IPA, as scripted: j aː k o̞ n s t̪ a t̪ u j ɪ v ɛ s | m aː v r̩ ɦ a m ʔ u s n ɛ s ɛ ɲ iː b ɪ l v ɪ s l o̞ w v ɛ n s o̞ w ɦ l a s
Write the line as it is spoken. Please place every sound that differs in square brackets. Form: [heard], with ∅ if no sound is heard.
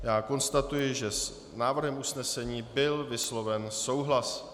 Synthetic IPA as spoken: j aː k o̞ n s t̪ a t̪ u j ɪ [ʒ] ɛ s | [n] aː v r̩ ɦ [ɛ] m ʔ u s n ɛ s ɛ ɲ iː b ɪ l v ɪ s l o̞ [∅] v ɛ n s o̞ w ɦ l a s